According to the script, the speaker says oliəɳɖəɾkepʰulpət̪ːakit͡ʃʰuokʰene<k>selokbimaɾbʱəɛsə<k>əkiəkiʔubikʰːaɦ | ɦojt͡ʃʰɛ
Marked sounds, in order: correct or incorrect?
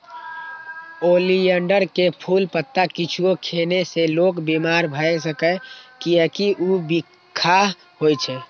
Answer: incorrect, correct

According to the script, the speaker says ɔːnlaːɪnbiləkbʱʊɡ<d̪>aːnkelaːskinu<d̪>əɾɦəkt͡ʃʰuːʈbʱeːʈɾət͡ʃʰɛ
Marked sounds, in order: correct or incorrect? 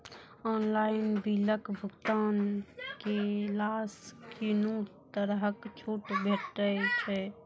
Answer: incorrect, incorrect

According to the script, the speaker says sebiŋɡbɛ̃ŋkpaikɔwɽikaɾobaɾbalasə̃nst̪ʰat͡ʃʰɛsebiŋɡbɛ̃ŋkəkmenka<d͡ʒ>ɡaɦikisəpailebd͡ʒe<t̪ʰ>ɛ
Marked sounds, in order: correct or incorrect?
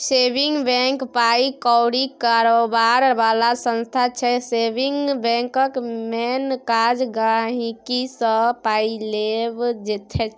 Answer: correct, correct

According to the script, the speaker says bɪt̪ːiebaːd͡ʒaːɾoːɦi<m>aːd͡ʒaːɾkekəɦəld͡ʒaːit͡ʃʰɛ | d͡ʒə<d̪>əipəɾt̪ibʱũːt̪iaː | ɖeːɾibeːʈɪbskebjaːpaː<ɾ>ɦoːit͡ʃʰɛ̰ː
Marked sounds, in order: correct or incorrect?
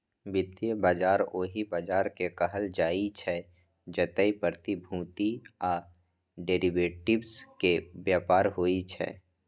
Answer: incorrect, incorrect, correct

